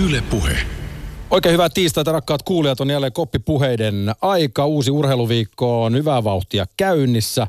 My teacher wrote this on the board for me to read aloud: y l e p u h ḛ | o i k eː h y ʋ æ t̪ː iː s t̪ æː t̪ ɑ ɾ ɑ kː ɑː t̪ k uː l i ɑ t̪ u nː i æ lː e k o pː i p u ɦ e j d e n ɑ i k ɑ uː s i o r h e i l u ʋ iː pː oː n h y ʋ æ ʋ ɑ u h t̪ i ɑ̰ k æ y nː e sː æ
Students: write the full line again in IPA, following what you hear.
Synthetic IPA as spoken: y l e p u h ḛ | o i k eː h y ʋ æ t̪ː iː s t̪ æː t̪ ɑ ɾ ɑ kː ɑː t̪ k uː l i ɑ t̪ o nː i æ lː e k o pː i p u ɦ e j d e n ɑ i k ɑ uː s i u r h e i l u ʋ iː kː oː n h y ʋ æ ʋ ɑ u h t̪ i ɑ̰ k æ y nː i sː æ